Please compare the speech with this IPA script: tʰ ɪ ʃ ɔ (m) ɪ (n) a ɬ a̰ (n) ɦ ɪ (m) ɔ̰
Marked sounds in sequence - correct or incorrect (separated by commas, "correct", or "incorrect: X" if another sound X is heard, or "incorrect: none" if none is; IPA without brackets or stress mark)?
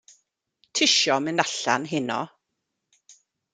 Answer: correct, correct, correct, incorrect: n